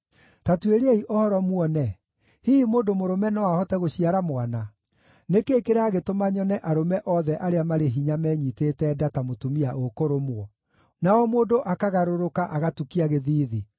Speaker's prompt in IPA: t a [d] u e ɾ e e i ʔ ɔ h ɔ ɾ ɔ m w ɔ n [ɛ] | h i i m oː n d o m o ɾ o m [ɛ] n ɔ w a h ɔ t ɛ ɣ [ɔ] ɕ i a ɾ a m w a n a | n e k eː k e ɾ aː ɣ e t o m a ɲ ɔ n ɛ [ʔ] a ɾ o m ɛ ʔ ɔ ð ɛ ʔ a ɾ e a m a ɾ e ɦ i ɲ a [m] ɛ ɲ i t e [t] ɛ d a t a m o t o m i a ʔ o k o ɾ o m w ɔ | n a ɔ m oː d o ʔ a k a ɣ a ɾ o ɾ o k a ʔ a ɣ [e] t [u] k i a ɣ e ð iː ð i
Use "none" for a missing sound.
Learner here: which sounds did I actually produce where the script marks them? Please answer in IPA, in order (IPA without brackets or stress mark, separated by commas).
t, ɛ, ɛ, o, ʔ, m, t, a, u